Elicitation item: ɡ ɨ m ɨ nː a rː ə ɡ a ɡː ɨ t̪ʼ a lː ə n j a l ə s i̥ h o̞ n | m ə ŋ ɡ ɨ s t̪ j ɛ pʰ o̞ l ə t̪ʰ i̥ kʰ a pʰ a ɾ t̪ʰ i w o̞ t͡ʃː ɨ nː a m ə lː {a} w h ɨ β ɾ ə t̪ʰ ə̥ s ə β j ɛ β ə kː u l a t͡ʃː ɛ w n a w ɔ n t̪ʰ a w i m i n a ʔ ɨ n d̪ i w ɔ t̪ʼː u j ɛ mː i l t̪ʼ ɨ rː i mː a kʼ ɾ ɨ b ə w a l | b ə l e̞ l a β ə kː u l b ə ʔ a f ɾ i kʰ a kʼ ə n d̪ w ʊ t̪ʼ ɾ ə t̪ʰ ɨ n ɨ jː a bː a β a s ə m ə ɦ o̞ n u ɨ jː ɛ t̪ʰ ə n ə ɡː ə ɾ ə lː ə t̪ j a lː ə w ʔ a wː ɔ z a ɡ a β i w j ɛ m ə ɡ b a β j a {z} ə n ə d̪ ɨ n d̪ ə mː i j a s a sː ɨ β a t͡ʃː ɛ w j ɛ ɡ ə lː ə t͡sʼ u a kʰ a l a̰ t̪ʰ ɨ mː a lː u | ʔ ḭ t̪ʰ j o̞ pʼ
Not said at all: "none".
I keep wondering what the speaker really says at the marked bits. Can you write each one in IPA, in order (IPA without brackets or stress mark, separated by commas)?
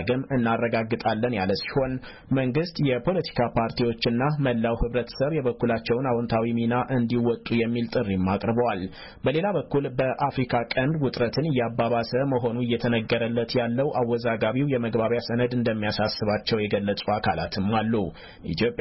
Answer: a, s